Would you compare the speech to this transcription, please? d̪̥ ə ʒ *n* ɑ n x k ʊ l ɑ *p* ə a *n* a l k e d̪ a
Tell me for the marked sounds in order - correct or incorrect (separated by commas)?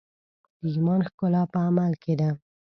incorrect, correct, incorrect